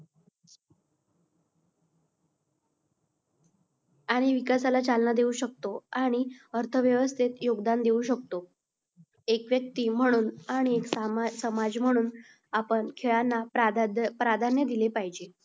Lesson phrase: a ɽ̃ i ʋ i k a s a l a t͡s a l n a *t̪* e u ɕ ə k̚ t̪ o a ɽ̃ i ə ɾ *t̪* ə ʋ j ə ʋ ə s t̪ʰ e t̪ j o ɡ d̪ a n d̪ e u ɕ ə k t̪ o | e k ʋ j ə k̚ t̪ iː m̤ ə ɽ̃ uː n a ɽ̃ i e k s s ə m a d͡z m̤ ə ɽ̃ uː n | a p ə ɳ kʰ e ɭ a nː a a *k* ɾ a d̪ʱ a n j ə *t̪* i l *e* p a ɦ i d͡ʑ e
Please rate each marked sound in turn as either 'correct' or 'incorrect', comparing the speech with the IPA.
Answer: incorrect, incorrect, incorrect, incorrect, correct

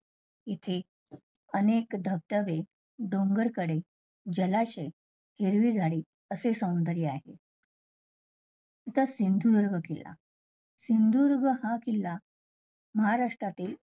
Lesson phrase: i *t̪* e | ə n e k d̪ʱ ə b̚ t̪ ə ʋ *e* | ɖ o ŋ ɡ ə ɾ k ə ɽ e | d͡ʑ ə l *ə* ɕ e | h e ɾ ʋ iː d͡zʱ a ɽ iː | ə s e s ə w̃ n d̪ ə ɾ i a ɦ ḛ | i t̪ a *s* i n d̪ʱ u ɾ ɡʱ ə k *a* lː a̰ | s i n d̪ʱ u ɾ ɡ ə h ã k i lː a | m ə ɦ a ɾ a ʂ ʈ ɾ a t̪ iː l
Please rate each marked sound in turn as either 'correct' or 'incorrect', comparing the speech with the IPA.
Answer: incorrect, correct, incorrect, correct, incorrect

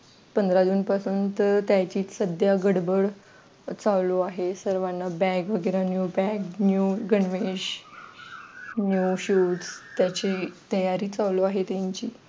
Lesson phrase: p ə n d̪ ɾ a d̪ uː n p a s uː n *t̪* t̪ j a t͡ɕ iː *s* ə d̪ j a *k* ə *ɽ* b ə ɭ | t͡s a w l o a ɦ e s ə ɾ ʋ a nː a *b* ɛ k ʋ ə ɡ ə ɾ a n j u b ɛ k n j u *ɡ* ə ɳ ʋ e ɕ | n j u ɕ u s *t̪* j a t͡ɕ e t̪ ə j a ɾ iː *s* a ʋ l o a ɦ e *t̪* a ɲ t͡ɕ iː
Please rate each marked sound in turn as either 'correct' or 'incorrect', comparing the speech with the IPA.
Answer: correct, correct, incorrect, correct, correct, correct, correct, incorrect, correct

